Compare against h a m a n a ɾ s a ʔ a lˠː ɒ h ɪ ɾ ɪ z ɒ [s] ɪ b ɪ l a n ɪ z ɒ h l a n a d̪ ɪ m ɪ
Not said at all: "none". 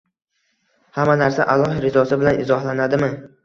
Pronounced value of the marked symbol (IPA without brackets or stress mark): s